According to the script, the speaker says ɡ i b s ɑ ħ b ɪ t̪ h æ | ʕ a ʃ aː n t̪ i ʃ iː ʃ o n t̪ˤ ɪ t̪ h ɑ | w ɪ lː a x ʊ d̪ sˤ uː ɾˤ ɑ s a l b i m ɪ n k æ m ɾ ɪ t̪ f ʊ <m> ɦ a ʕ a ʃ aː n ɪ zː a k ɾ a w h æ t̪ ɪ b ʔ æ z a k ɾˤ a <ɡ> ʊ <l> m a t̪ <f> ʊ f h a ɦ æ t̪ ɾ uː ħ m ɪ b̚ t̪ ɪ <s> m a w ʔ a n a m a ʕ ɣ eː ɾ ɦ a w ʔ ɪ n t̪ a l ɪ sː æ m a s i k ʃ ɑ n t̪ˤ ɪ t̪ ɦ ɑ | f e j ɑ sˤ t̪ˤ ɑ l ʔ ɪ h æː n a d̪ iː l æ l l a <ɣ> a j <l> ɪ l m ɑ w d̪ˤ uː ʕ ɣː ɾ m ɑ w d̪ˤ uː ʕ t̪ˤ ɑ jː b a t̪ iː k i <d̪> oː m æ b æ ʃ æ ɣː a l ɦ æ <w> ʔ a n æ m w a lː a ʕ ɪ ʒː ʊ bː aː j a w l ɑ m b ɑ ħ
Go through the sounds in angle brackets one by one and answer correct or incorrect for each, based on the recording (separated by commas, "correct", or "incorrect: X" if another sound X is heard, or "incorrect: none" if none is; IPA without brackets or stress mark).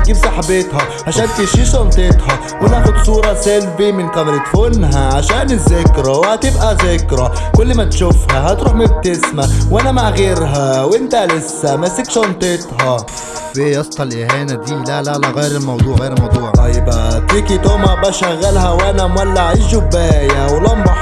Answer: incorrect: n, incorrect: k, incorrect: lː, incorrect: ʃ, correct, correct, incorrect: ɾ, incorrect: t̪, correct